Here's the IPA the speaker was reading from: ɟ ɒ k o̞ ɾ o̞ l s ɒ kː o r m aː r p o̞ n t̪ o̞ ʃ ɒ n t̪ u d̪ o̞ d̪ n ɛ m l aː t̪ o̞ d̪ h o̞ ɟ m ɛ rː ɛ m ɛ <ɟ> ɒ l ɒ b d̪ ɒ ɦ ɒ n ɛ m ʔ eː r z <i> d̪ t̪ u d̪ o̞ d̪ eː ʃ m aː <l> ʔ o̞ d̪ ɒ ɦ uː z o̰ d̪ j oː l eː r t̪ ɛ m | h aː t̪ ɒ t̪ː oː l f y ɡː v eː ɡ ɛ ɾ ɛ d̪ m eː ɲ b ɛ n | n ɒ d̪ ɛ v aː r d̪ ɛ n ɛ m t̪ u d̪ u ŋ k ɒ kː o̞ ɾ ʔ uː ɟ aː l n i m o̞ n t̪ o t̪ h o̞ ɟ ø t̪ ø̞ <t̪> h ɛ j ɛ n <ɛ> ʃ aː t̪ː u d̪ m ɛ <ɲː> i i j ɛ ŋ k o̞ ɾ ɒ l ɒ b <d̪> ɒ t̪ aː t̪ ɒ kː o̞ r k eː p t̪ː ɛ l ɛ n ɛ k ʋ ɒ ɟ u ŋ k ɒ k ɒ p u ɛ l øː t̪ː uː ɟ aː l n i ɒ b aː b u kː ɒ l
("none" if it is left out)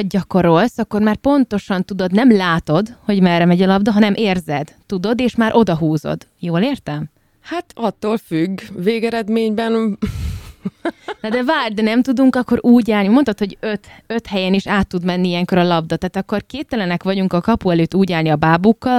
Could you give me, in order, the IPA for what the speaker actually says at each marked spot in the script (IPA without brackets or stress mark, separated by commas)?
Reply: ɟ, ɛ, ɾ, t̪, i, nː, d̪